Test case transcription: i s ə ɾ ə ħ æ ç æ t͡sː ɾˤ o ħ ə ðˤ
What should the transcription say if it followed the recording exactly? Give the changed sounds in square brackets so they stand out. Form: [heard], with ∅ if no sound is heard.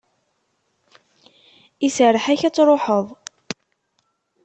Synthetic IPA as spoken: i s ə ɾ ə ħ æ ç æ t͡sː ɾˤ o ħ ə ðˤ